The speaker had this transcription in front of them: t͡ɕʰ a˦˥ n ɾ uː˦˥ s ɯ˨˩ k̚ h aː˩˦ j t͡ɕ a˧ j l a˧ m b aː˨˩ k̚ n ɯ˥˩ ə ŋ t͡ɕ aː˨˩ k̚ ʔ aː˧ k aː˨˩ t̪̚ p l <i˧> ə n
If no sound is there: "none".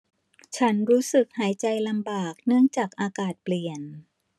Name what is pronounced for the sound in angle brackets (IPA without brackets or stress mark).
i˨˩